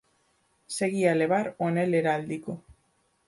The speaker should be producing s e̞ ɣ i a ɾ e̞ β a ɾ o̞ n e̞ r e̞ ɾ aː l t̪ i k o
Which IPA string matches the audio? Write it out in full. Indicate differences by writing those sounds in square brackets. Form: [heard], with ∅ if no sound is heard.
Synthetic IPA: s e̞ ɣ i a [l] e̞ β a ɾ o̞ n e̞ [l] e̞ ɾ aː l [d̪] i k o